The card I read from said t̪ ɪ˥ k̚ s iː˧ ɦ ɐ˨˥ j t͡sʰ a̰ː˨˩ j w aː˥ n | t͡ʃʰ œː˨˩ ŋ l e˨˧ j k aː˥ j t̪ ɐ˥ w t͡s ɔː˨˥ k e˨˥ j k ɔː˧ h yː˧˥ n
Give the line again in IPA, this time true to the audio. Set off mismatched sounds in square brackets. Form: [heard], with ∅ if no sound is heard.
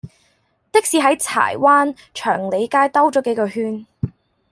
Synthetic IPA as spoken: t̪ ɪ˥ k̚ s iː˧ ɦ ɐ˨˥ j t͡sʰ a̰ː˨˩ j w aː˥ n | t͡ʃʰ œː˨˩ ŋ l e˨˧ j k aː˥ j t̪ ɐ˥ w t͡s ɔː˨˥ k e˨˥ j k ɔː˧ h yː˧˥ n